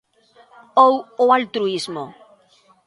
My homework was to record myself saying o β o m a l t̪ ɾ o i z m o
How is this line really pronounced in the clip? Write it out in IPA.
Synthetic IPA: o w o a l t̪ ɾ u i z m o